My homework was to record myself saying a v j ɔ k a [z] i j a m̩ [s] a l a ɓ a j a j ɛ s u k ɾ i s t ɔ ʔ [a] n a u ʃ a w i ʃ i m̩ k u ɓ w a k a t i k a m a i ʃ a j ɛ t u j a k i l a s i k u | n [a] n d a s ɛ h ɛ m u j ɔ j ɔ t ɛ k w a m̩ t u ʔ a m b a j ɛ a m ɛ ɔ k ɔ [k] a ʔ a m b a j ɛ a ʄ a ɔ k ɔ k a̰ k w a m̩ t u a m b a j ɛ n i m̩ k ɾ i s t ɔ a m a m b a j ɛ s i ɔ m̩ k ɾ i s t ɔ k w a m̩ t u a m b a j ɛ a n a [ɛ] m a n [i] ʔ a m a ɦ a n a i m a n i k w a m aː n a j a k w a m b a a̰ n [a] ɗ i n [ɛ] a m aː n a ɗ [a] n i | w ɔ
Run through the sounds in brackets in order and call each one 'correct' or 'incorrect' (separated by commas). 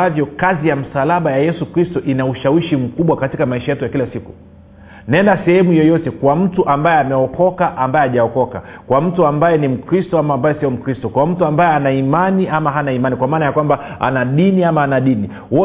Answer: correct, correct, incorrect, incorrect, correct, incorrect, correct, correct, incorrect, incorrect